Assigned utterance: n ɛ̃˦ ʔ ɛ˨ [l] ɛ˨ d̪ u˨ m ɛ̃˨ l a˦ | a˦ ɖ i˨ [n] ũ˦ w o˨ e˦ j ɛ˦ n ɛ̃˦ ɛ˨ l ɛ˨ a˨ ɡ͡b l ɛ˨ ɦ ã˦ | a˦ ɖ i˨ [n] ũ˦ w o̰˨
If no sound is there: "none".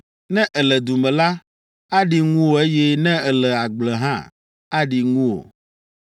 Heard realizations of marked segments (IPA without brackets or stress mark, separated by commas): l, ŋ, ŋ